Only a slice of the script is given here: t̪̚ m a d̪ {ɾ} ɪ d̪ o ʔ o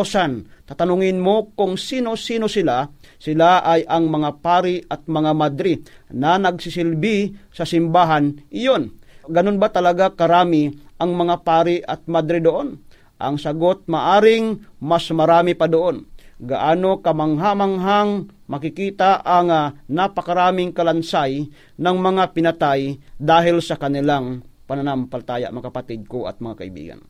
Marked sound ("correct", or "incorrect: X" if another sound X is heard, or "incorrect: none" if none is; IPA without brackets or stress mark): correct